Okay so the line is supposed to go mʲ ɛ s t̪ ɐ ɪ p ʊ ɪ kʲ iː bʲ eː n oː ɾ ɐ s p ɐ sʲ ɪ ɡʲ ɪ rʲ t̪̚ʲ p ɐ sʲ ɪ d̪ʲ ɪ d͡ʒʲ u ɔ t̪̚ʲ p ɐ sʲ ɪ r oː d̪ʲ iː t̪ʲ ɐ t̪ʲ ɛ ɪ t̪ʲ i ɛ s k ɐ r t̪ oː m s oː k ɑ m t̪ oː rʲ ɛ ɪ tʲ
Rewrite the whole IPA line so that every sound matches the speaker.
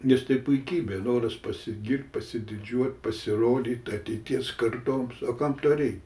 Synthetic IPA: nʲ ɛ s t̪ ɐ ɪ p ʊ ɪ kʲ iː bʲ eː n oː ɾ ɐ s p ɐ sʲ ɪ ɡʲ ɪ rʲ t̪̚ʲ p ɐ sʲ ɪ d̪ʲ ɪ d͡ʒʲ u ɔ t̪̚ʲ p ɐ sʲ ɪ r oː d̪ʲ iː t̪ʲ ɐ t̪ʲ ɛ ɪ t̪ʲ i ɛ s k ɐ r t̪ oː m s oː k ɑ m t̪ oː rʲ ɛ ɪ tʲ